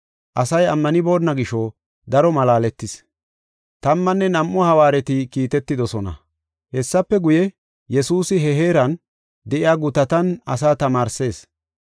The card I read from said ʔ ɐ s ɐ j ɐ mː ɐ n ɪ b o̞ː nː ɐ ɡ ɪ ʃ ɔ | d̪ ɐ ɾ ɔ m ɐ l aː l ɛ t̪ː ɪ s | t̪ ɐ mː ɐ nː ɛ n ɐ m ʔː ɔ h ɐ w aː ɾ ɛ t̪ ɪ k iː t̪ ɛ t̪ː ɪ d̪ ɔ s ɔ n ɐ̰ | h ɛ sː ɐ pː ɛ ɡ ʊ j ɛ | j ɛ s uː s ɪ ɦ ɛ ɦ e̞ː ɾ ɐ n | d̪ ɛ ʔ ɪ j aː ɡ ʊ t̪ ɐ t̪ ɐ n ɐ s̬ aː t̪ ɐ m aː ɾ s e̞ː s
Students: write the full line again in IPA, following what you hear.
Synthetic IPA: ʔ ɐ s ɐ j ɐ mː ɐ n ɪ b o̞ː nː ɐ ɡ ɪ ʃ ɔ | d̪ ɐ ɾ ɔ m ɐ l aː l ɛ t̪ː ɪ s | t̪ ɐ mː ɐ nː ɛ n ɐ m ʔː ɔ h ɐ w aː ɾ ɛ t̪ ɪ k iː t̪ ɛ t̪ː ɪ d̪ ɔ s ɔ n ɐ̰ | h ɛ sː ɐ pː ɛ ɡ ʊ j ɛ | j ɛ s uː s ɪ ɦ ɛ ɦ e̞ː ɾ ɐ n | d̪ ɛ ʔ ɪ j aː ɡ ʊ t̪ ɐ t̪ ɐ n ɐ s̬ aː t̪ ɐ m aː ɾ s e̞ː s